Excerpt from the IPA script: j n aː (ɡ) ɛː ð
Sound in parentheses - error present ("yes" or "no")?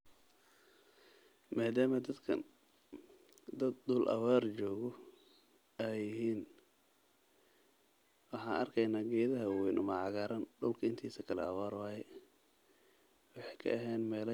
no